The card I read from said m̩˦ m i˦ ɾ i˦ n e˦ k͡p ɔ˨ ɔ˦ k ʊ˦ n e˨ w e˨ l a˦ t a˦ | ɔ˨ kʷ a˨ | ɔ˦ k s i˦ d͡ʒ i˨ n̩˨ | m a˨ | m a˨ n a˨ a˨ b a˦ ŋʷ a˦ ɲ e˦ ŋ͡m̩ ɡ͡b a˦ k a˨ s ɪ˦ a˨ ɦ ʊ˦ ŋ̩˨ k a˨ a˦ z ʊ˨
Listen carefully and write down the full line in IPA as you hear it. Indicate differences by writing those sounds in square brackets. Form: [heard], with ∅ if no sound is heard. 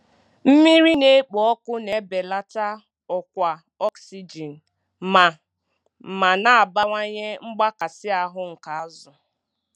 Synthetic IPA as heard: m̩˦ m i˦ ɾ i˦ n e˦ k͡p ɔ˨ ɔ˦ k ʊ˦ n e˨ [b] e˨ l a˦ t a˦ | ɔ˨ kʷ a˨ | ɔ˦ k s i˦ d͡ʒ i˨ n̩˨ | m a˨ | m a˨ n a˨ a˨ b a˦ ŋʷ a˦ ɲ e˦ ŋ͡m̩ ɡ͡b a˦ k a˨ s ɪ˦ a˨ ɦ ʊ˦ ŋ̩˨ k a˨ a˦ z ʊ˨